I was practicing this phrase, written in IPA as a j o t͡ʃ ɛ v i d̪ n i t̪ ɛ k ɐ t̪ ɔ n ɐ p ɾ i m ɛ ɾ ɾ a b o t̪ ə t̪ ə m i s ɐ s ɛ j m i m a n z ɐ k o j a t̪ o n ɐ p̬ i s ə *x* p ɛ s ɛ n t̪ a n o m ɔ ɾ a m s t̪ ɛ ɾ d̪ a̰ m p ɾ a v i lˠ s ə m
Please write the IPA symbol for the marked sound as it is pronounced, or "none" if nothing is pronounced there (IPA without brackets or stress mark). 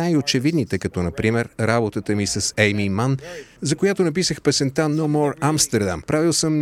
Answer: x